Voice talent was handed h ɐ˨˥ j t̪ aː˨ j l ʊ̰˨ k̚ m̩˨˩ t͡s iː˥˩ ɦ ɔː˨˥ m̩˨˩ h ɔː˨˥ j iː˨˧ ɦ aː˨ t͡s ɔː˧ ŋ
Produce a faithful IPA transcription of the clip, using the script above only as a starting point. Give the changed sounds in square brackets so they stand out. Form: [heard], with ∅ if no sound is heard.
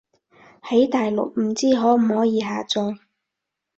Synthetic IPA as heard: h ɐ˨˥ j t̪ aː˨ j l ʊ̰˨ k̚ m̩˨˩ t͡s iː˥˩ ɦ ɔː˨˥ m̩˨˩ h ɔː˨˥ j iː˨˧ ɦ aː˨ t͡s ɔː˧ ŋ